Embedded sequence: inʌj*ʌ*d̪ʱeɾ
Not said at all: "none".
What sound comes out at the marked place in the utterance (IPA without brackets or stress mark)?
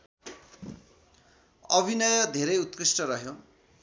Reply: ʌ